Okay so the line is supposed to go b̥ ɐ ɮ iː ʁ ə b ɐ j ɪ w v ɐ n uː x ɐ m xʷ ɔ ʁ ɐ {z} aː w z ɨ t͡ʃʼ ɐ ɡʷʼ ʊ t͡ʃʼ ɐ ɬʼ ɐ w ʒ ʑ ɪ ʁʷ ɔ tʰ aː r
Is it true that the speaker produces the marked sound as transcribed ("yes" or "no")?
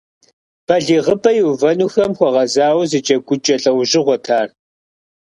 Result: yes